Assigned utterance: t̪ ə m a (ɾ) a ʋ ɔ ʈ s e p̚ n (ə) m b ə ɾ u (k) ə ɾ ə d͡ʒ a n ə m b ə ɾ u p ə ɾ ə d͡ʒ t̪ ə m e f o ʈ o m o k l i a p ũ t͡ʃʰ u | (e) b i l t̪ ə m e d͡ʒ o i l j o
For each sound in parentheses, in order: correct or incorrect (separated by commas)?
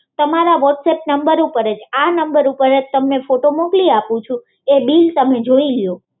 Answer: correct, correct, incorrect, correct